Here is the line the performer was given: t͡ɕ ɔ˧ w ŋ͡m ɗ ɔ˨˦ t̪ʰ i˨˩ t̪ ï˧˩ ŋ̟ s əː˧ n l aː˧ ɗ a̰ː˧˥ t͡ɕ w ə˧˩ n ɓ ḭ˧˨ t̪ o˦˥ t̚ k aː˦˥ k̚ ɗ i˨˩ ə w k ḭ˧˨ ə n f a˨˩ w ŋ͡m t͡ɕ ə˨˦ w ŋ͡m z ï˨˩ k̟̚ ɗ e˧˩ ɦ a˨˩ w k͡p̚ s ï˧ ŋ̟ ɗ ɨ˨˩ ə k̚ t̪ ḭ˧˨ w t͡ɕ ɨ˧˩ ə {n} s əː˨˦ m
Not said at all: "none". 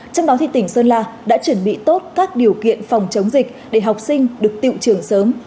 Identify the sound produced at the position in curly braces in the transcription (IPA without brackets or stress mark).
ŋ